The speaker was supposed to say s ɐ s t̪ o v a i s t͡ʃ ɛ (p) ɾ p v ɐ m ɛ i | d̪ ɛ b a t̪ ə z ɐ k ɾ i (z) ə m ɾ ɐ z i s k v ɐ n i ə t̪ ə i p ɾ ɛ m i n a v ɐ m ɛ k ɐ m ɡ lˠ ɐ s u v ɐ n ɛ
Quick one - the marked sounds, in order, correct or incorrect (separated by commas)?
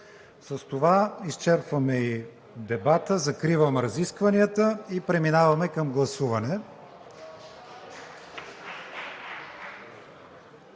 incorrect, incorrect